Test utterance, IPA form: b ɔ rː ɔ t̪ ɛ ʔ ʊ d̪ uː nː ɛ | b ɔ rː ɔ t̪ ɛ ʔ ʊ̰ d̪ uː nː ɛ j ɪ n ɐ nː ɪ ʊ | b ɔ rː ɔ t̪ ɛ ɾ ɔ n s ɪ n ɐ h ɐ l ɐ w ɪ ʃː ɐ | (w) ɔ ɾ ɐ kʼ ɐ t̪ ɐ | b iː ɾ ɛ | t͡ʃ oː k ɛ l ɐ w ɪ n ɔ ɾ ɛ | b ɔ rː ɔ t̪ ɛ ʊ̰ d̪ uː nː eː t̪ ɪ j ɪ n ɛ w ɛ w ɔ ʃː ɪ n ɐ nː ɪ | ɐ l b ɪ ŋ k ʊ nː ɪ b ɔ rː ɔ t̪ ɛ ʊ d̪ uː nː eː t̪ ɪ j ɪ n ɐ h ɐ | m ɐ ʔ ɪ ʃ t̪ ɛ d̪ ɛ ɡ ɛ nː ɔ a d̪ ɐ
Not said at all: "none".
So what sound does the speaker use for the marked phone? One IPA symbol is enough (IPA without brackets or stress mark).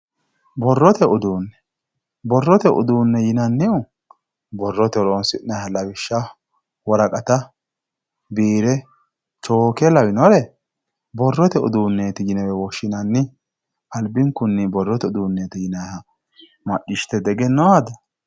w